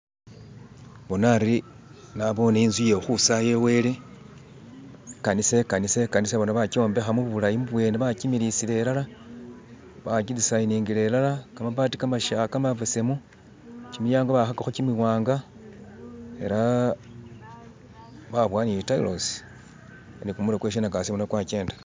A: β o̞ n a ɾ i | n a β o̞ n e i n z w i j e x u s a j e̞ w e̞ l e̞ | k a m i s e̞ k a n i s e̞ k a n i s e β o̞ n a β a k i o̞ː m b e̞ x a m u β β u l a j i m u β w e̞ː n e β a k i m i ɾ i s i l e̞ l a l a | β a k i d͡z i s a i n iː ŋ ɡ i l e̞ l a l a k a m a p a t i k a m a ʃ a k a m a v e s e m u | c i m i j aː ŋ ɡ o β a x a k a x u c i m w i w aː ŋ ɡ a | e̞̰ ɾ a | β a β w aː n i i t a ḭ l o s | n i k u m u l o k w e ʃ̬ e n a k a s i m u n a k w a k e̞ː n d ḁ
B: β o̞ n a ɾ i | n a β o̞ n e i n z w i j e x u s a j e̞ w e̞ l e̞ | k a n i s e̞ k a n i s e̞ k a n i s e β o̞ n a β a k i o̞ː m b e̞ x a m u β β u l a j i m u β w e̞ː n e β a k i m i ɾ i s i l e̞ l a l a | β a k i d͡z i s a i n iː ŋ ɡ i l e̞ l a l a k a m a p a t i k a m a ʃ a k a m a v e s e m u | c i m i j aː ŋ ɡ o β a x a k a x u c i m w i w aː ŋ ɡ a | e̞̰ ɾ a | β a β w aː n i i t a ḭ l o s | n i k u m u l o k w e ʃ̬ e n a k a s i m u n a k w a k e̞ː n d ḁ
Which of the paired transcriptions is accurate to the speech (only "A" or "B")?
B